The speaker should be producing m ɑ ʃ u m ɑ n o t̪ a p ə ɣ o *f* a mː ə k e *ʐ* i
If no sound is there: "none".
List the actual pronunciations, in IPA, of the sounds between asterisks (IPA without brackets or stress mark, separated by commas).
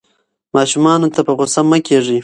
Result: s, ʐ